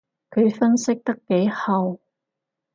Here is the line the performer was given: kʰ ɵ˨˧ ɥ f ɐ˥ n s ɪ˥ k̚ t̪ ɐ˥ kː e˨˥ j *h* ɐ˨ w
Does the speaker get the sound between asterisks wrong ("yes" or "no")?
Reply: no